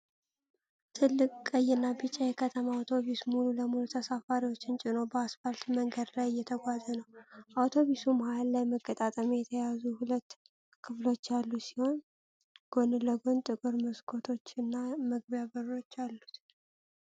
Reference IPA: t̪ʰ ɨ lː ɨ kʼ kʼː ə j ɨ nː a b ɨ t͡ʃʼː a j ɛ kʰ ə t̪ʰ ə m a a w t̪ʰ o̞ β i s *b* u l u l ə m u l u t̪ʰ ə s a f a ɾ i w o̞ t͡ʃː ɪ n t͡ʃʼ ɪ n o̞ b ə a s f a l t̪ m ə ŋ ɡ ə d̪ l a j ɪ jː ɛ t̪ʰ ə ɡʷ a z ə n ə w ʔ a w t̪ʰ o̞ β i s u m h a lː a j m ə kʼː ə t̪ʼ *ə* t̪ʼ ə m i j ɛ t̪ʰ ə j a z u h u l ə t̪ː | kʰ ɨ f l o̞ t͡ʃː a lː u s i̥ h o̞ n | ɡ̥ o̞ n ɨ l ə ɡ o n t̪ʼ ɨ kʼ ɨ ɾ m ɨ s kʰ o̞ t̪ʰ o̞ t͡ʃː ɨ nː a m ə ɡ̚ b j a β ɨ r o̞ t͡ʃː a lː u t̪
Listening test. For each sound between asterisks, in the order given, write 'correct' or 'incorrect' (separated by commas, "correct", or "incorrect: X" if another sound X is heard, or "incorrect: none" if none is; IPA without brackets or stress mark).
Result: incorrect: m, incorrect: a